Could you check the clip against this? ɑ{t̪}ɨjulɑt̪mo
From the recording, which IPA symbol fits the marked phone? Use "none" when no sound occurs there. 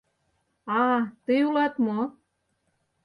t̪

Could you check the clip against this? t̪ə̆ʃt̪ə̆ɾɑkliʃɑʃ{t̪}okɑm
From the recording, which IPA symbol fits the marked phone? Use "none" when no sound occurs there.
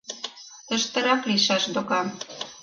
d̪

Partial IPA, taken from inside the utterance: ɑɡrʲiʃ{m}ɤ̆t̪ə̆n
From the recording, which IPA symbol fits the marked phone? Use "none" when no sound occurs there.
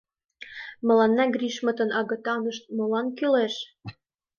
m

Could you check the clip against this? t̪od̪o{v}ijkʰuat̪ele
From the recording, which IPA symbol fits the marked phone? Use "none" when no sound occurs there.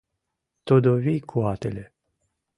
v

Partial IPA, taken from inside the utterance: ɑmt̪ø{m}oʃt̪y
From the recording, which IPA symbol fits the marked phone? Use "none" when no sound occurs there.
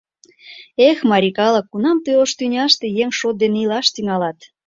none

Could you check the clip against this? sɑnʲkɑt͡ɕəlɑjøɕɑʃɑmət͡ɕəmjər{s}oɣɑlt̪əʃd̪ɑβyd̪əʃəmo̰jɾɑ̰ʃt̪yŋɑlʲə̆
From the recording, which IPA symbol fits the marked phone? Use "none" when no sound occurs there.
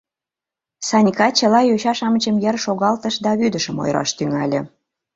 ʃ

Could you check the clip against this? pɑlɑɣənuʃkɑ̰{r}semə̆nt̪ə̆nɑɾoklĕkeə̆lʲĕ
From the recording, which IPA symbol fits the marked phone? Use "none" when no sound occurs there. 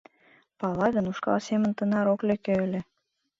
l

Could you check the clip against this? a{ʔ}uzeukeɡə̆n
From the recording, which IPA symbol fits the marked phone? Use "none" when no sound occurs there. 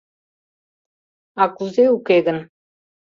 k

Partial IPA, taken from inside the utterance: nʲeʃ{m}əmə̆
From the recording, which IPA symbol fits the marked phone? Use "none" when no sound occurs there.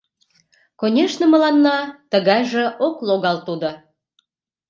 n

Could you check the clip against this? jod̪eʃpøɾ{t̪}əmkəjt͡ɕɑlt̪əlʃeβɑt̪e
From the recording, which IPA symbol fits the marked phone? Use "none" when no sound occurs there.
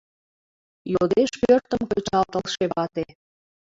t̪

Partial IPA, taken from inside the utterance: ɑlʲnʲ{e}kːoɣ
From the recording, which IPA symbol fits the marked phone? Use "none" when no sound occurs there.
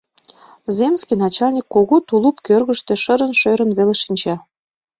i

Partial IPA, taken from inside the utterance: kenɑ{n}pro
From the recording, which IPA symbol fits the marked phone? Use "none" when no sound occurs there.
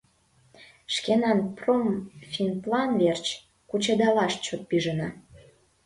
n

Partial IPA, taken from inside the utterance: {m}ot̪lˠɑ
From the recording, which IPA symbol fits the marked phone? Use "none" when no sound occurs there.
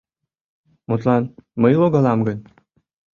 m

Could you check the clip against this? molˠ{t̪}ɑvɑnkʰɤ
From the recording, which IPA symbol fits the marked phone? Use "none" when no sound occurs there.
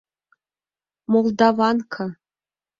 d̪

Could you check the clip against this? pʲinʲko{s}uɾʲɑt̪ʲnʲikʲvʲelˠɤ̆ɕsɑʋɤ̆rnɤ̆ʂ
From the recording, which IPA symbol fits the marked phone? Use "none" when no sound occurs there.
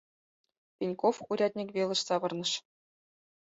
f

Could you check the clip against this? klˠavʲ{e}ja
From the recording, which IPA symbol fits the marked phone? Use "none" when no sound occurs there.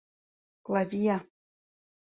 i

